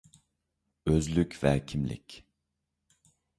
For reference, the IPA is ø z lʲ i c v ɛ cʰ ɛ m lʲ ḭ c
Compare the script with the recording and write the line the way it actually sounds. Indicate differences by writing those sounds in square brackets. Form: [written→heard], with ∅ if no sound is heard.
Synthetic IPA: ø z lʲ [i→y] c v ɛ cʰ [ɛ→i] m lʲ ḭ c